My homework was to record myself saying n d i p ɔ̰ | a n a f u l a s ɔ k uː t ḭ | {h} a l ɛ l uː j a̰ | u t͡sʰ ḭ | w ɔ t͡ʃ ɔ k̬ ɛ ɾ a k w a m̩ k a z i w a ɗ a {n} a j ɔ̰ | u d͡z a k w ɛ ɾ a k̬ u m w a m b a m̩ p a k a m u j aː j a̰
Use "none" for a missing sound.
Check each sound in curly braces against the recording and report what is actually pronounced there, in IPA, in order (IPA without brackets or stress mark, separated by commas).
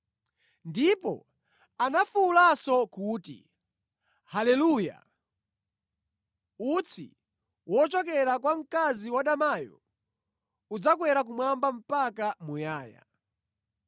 h, m